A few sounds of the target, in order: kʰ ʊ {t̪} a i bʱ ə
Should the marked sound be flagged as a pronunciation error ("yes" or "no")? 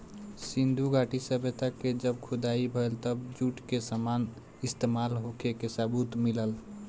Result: yes